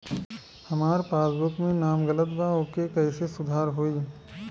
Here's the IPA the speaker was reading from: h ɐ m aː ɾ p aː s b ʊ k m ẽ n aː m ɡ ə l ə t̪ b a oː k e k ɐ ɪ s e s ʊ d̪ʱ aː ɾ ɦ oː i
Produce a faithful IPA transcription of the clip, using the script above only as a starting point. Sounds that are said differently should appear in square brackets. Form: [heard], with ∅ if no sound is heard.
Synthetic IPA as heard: h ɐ m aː ɾ p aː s b ʊ k m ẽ n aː m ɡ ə l ə t̪ b a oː k e k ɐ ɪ s e s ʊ d̪ʱ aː ɾ ɦ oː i